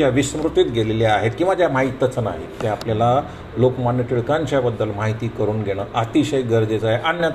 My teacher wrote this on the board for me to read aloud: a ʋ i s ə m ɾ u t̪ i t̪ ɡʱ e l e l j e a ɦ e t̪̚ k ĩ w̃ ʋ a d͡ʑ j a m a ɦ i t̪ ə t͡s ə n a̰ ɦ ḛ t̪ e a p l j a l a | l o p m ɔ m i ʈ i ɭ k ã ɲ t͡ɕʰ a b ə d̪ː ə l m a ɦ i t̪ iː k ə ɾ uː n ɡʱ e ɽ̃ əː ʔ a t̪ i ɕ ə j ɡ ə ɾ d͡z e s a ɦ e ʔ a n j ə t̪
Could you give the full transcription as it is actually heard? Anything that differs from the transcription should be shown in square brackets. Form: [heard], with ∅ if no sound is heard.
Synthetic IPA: a ʋ i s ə m ɾ u t̪ i t̪ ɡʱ e l e l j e a ɦ e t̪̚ k ĩ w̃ ʋ a d͡ʑ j a m a ɦ i t̪ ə t͡s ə n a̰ ɦ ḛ t̪ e a p l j a l a | l o [k] m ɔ [n] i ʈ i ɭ k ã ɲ [t͡ɕ] a b ə d̪ː ə l m a ɦ i t̪ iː k ə ɾ uː n ɡʱ e ɽ̃ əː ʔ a t̪ i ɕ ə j ɡ ə ɾ d͡z e [t͡s] a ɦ e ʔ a n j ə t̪